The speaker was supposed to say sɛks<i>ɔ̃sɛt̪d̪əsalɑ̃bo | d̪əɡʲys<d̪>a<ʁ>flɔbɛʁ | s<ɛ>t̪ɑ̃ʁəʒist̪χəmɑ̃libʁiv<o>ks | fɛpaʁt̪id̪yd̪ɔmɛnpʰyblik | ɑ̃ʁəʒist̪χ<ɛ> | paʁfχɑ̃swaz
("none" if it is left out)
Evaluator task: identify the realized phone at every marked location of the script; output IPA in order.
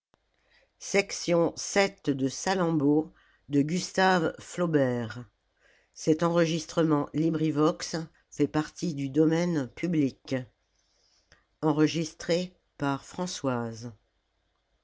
j, t̪, v, ɛ, ɔ, e

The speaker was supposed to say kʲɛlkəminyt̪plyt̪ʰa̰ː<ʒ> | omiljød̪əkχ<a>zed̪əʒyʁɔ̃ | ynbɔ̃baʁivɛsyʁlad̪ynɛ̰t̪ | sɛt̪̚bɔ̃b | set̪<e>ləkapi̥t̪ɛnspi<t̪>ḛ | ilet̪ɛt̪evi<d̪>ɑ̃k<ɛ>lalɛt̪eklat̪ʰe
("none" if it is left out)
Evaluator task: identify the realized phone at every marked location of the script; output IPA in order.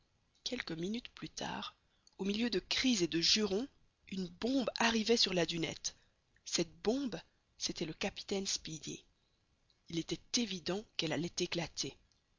ʁ, i, ɛ, d̪, d̪, ɛ

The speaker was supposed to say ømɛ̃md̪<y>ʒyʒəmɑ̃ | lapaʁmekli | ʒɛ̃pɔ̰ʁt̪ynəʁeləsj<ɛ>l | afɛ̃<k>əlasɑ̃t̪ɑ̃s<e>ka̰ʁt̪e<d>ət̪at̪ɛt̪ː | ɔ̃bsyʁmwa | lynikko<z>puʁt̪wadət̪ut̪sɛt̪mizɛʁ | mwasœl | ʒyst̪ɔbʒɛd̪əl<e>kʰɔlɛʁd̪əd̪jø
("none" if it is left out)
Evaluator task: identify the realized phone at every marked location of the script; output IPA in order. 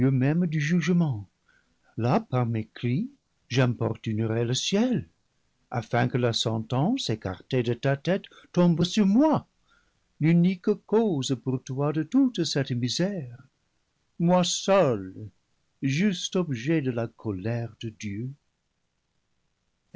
y, ɛ, k, e, d, z, a

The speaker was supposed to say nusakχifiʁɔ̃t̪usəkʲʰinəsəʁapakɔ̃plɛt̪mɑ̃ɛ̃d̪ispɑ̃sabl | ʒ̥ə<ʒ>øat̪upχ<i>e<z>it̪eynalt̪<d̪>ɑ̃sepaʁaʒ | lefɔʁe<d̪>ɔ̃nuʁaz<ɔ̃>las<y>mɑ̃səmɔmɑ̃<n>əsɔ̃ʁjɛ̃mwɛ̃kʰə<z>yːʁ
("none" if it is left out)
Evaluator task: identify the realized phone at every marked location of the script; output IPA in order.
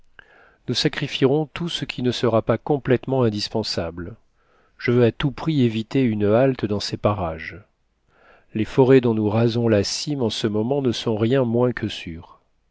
v, i, v, d̪, d̪, ɔ̃, i, n, s

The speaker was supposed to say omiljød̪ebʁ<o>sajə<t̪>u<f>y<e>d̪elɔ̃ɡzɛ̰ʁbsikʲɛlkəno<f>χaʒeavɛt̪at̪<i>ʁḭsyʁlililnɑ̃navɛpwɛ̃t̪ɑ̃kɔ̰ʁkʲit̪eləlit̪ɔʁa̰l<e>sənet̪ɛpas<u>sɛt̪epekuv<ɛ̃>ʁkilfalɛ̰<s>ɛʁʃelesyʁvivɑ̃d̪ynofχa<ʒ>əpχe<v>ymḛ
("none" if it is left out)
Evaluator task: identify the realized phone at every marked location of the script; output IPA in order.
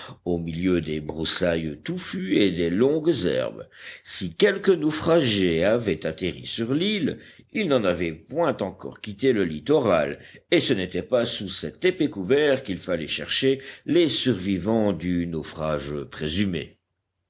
u, t̪, f, e, f, e, e, u, ɛ, ʃ, ʒ, z

